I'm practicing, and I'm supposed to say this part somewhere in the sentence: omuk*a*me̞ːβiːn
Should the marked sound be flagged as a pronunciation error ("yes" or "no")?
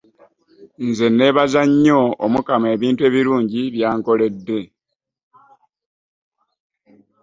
no